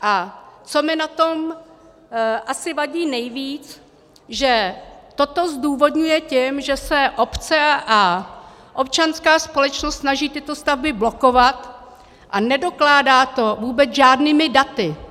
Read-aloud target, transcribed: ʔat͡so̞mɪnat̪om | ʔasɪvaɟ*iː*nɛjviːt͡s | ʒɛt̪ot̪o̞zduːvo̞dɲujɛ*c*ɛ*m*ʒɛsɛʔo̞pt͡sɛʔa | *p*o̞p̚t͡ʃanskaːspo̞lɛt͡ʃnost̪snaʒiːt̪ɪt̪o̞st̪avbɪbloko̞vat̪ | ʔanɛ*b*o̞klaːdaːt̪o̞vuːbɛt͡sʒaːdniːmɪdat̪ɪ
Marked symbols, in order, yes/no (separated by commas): yes, yes, yes, no, no